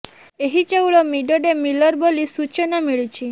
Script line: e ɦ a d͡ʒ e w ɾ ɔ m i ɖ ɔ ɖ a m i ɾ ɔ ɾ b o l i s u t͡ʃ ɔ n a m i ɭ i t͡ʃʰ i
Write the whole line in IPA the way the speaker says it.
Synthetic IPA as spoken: e ɦ i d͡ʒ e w ɭ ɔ m i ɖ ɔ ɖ e m i l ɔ ɾ b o l i s u t͡ʃ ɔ n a m i ɭ i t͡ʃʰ i